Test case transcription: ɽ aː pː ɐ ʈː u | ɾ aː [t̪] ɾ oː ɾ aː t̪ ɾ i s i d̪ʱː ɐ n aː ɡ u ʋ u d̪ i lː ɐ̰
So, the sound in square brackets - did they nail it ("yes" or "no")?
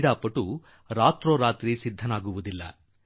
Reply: yes